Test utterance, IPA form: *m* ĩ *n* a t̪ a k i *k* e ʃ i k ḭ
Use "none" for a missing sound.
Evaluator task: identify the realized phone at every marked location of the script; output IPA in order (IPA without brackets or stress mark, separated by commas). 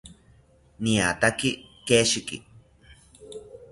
n, none, k